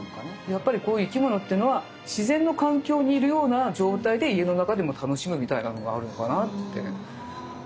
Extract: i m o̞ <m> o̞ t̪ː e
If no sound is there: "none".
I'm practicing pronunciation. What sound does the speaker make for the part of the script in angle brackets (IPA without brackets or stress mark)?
n